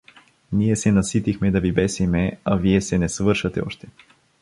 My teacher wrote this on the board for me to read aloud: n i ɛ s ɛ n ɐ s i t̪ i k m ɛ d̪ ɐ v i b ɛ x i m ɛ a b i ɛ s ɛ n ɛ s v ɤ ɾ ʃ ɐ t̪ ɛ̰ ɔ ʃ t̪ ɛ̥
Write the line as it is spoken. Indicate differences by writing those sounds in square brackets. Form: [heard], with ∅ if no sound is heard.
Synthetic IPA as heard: n i ɛ s ɛ n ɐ s i t̪ i [x] m ɛ d̪ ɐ v i b ɛ [s] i m ɛ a [v] i ɛ s ɛ n ɛ s v ɤ ɾ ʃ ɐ t̪ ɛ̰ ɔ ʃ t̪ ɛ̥